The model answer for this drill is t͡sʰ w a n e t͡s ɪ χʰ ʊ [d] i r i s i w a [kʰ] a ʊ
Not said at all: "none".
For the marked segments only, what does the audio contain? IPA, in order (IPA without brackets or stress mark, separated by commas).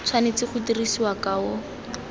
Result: t, k